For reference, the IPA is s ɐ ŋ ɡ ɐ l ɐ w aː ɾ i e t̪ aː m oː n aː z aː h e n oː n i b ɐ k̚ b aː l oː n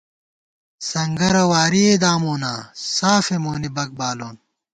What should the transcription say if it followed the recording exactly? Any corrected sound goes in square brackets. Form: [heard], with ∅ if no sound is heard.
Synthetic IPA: s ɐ ŋ ɡ ɐ [ɾ] ɐ w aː ɾ i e [d̪] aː m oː n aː [s] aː [f] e [m] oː n i b ɐ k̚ b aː l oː n